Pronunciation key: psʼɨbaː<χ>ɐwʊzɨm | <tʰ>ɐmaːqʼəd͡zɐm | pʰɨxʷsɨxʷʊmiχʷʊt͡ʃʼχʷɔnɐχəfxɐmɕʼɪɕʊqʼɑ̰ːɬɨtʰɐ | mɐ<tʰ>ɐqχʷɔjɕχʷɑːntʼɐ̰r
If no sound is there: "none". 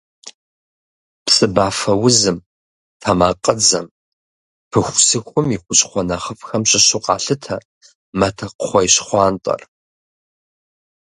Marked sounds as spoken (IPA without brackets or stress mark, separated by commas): f, tʰ, tʰ